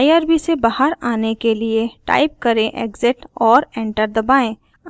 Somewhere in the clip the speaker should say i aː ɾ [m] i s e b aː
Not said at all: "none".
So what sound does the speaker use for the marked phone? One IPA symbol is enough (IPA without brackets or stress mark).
b